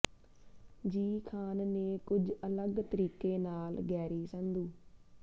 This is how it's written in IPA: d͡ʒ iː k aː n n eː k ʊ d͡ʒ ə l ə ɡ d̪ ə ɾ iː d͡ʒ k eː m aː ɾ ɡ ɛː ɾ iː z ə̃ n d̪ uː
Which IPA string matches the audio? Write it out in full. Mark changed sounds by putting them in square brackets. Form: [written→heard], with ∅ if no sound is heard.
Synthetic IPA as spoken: d͡ʒ iː [k→kʰ] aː n n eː k ʊ d͡ʒ ə l ə ɡ [d̪→t̪] ə ɾ iː [d͡ʒ→∅] k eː [m→n] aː [ɾ→l] ɡ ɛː ɾ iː [z→s] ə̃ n d̪ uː